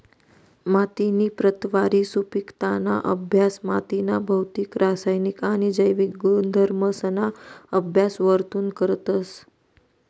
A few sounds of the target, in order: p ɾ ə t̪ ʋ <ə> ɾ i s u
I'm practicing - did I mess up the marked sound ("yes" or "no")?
yes